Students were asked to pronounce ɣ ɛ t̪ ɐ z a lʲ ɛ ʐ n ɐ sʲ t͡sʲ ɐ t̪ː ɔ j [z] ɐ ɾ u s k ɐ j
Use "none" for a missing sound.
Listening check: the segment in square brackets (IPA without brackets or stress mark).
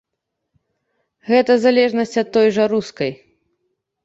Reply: ʐ